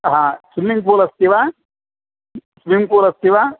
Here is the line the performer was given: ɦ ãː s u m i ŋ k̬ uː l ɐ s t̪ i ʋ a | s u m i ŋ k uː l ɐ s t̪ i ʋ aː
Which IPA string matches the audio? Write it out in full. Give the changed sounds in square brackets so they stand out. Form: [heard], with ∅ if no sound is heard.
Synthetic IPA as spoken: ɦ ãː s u m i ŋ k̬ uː l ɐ s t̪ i ʋ a | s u m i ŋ k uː l ɐ s t̪ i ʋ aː